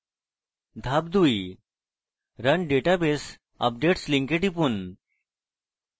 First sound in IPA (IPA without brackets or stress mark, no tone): d̪ʱ